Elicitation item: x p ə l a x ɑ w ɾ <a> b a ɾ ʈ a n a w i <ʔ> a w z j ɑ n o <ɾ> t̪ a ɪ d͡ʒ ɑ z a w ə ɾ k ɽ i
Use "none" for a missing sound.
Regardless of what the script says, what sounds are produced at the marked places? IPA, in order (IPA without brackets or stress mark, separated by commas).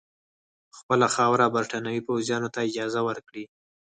a, p, none